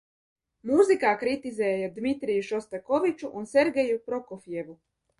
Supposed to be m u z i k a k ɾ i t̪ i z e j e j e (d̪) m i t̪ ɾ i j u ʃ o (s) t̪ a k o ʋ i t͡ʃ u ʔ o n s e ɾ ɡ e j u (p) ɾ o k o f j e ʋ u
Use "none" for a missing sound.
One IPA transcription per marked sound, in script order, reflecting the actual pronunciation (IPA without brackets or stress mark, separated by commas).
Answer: d̪, s, p